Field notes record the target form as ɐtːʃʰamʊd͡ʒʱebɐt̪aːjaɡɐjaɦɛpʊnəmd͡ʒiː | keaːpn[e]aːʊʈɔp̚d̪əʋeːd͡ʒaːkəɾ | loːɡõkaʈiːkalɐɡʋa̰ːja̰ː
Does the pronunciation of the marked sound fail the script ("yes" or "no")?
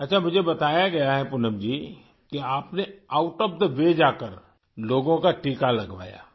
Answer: no